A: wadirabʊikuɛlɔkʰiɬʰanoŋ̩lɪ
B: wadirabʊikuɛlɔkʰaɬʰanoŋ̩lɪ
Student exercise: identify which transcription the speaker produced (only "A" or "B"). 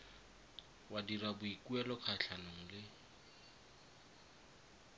B